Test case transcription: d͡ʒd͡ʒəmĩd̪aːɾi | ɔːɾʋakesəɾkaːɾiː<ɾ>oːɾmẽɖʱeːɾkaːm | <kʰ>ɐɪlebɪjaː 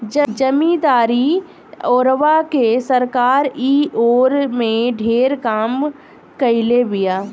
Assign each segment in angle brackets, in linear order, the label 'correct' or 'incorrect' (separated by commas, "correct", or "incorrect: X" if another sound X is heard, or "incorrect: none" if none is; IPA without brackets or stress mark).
incorrect: none, incorrect: k